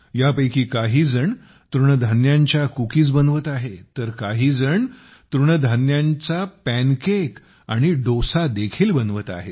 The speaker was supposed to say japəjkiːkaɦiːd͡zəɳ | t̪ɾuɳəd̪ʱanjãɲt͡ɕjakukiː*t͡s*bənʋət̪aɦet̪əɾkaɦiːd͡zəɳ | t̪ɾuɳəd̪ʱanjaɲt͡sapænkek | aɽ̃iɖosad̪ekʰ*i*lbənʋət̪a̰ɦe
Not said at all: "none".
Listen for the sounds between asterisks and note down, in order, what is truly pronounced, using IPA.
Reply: t͡s, iː

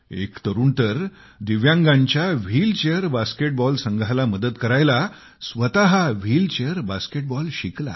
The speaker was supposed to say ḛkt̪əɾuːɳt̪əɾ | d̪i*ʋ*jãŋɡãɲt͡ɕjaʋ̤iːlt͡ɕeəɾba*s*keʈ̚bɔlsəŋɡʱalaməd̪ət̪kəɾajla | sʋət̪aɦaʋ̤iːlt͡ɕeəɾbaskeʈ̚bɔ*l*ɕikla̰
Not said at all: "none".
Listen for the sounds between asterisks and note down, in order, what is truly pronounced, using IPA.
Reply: ʋ, s, l

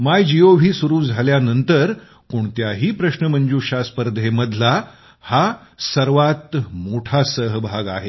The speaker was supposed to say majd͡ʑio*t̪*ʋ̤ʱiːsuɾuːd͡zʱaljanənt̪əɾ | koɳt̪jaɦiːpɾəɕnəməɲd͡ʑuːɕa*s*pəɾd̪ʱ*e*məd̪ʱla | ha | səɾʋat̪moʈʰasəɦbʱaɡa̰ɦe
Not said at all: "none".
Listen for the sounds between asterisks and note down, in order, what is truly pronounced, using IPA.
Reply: none, s, e

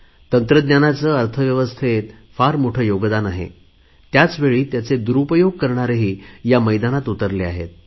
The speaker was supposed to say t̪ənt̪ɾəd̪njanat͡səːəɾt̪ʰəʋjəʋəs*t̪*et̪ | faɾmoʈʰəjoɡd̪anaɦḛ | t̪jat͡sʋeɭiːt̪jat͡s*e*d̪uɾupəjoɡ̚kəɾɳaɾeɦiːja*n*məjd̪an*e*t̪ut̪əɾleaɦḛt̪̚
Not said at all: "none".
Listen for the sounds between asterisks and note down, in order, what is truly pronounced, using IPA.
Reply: t̪ʰ, e, none, a

